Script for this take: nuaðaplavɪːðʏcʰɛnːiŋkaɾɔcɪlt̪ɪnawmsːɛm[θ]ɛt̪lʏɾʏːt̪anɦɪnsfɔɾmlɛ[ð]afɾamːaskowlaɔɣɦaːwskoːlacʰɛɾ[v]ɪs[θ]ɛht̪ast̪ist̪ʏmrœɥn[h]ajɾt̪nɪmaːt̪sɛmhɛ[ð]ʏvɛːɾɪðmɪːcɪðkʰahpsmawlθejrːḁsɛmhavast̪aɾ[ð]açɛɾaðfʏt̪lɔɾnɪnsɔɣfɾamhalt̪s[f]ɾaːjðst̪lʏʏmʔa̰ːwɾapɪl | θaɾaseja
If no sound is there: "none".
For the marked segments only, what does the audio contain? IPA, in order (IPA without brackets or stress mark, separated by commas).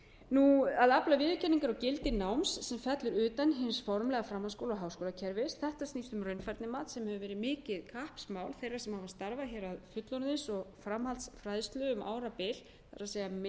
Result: f, ɣ, v, θ, f, v, v, f